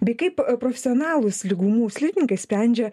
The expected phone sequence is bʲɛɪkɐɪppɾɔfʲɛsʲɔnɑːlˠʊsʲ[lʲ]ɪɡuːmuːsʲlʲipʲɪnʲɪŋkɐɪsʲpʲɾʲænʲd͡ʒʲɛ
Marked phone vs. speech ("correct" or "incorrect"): correct